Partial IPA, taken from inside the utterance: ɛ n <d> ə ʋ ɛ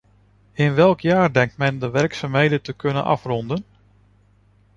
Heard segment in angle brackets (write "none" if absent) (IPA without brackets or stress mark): d